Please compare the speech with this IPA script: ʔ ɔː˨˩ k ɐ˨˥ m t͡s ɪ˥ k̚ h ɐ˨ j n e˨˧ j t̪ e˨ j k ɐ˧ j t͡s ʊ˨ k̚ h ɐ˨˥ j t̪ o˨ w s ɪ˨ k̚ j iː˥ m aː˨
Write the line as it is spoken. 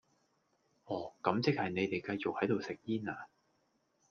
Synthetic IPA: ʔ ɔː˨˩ k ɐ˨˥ m t͡s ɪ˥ k̚ h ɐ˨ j n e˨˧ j t̪ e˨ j k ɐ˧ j t͡s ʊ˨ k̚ h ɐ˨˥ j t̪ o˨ w s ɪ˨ k̚ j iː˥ n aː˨